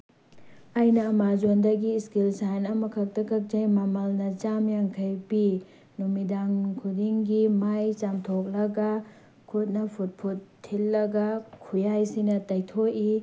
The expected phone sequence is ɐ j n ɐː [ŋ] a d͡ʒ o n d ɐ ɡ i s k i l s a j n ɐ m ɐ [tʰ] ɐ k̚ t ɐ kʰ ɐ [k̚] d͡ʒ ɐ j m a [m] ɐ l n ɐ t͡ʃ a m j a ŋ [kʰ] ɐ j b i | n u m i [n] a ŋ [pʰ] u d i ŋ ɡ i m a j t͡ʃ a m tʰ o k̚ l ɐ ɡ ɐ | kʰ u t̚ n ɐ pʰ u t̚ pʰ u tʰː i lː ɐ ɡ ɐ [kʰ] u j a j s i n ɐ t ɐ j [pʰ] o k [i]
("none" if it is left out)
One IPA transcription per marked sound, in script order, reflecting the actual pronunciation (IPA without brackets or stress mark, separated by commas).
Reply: m, kʰ, k̚, m, kʰ, d, kʰ, kʰ, tʰ, i